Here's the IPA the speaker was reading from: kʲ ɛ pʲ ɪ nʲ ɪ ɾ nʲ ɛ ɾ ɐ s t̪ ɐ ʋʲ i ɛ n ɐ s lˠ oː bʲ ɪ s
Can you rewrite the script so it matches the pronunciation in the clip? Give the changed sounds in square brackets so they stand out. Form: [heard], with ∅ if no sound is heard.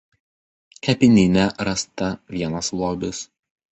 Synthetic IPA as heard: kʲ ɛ pʲ ɪ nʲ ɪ [∅] nʲ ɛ ɾ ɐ s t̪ ɐ ʋʲ i ɛ n ɐ s lˠ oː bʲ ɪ s